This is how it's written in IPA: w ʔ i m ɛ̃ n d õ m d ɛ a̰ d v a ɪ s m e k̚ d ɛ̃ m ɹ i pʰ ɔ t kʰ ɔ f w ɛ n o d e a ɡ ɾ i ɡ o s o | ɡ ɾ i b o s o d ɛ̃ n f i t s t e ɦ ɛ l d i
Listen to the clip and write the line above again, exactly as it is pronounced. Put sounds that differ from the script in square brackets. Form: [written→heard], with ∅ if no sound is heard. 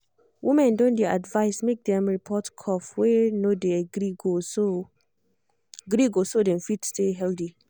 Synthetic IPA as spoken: w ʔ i m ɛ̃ n d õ [m→n] d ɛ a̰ d v a ɪ s m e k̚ d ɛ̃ m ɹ i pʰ ɔ t kʰ ɔ f w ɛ n o d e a ɡ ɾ i ɡ o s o | ɡ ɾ i [b→ɡ] o s o d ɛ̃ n f i t s t e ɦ ɛ l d i